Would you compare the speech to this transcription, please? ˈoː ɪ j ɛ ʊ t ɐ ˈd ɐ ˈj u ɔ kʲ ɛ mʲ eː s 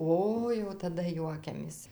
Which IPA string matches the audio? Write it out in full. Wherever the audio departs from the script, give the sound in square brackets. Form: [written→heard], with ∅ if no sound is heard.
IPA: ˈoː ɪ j ɛ ʊ t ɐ ˈd ɐ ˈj u ɔ kʲ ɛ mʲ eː s